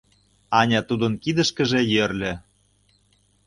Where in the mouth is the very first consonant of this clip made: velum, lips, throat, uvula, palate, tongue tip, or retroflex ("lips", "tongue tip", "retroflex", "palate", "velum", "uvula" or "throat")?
tongue tip